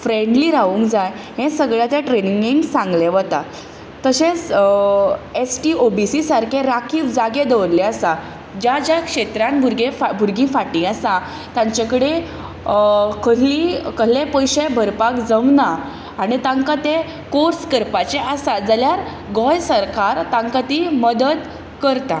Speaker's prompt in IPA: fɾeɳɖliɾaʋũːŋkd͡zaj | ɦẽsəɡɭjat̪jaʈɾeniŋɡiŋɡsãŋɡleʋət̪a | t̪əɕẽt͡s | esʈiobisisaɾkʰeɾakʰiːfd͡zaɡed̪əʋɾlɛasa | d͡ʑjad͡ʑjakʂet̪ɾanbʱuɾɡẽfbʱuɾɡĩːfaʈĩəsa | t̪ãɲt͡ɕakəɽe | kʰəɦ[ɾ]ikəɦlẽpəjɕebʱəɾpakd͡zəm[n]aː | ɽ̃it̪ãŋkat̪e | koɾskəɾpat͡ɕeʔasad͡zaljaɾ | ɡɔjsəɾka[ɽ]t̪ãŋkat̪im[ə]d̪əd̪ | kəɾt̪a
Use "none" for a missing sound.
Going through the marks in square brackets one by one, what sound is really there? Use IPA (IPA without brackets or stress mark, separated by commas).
l, n, ɾ, ə